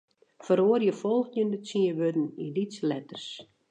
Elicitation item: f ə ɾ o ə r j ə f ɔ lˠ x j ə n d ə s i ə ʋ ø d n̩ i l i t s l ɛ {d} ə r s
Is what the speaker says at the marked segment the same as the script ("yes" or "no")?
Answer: no